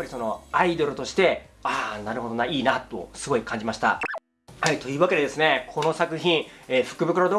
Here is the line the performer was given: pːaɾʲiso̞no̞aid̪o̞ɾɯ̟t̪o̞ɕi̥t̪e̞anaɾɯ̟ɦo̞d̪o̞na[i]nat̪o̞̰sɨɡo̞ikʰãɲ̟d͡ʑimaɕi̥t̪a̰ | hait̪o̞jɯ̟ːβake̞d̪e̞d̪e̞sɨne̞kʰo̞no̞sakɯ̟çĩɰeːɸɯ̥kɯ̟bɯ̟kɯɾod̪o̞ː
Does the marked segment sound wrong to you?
yes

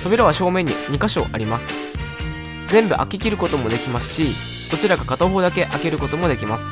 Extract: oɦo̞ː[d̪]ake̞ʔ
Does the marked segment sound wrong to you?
no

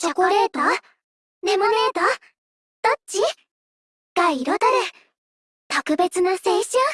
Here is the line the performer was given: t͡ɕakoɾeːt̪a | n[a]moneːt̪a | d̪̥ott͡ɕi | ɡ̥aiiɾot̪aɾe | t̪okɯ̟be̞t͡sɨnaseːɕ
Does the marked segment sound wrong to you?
yes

